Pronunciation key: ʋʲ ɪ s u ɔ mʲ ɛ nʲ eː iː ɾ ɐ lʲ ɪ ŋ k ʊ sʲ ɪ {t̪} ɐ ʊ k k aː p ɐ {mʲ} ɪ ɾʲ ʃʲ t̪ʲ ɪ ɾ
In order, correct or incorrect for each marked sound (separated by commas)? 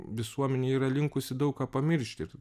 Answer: incorrect, correct